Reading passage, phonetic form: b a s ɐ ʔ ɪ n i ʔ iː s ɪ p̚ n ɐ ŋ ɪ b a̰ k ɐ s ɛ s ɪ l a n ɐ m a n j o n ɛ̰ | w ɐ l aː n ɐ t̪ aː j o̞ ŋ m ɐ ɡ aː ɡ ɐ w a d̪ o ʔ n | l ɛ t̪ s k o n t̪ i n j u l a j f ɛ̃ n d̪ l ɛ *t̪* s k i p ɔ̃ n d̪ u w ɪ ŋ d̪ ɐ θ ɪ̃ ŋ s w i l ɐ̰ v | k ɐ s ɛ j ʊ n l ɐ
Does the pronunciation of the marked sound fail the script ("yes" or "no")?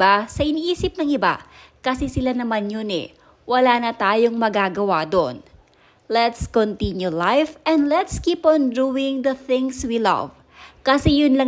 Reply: no